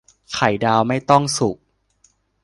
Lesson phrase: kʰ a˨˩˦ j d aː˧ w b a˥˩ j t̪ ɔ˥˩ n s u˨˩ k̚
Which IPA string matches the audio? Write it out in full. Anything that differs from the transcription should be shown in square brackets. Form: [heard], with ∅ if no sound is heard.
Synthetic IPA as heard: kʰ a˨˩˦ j d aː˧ w [m] a˥˩ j t̪ ɔ˥˩ [ŋ] s u˨˩ k̚